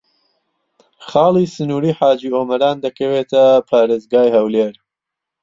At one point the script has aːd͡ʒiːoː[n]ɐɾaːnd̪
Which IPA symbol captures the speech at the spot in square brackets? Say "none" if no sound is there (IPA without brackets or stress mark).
m